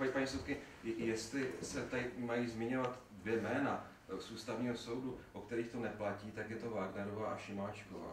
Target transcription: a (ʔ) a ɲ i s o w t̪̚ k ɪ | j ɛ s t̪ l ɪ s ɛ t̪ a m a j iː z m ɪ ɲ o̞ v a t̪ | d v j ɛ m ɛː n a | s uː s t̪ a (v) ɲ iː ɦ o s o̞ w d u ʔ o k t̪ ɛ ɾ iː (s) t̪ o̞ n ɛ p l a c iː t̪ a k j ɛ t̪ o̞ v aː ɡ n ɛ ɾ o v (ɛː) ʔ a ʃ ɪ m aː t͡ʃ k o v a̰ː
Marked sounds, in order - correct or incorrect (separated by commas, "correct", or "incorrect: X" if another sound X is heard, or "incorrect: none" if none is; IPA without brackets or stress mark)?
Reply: incorrect: p, correct, incorrect: x, incorrect: aː